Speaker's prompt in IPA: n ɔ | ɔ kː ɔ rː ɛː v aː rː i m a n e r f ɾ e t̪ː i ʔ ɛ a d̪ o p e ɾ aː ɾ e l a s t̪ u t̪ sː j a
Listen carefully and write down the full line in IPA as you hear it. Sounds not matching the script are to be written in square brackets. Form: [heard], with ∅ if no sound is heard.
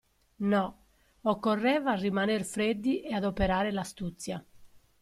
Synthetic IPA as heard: n ɔ | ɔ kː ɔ rː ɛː v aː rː i m a n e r f ɾ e [d̪ː] i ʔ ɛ a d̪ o p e ɾ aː ɾ e l a s t̪ u t̪ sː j a